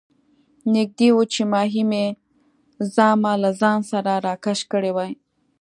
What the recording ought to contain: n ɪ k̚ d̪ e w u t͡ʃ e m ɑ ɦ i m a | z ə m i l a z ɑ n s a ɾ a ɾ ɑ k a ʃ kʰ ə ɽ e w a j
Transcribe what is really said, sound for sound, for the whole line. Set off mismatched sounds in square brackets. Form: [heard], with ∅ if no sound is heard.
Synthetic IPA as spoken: n ɪ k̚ d̪ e w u t͡ʃ e m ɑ ɦ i m [e] | z [ɑ] m [a] l a z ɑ n s a ɾ a ɾ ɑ k a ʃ [k] ə ɽ e w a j